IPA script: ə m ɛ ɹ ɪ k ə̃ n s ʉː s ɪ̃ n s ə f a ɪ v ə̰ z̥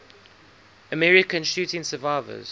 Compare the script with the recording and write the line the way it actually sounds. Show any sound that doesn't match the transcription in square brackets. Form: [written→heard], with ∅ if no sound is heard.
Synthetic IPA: ə m ɛ ɹ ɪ k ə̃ n [s→ʃ] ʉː [s→t] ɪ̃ n s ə [f→v] a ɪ v ə̰ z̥